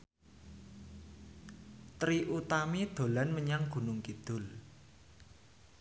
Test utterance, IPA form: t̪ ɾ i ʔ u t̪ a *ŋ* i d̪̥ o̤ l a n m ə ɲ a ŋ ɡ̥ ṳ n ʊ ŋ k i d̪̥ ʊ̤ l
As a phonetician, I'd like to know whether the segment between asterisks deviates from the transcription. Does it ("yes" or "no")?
yes